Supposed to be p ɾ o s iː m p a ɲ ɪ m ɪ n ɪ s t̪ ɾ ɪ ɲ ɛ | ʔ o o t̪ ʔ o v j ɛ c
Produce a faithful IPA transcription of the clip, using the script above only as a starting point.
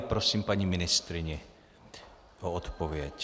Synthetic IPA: p ɾ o s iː m p a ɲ i m ɪ n ɪ s t̪ ɾ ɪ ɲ ɛ | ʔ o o t̪ p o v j ɛ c